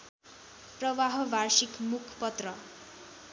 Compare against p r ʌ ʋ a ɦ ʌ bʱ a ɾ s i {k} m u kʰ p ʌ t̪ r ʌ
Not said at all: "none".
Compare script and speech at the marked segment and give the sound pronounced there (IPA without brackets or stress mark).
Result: k